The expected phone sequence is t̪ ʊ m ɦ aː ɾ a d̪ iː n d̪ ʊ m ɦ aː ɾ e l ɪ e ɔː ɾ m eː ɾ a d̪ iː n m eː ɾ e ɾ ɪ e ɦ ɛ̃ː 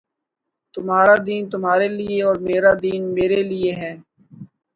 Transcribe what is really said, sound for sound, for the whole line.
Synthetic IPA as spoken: t̪ ʊ m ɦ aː ɾ a d̪ iː n t̪ ʊ m ɦ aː ɾ e l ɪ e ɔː ɾ m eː ɾ a d̪ iː n m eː ɾ e l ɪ e ɦ ɛː